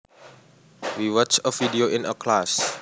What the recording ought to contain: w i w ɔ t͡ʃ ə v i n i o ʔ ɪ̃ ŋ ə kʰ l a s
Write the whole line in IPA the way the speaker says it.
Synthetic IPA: w i w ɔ t͡ʃ ə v i d i o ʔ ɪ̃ n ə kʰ l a s